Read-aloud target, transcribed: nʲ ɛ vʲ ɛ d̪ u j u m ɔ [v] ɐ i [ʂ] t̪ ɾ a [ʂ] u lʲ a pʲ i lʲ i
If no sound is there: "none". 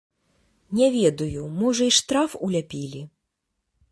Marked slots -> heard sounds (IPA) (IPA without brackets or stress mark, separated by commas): ʐ, ʂ, f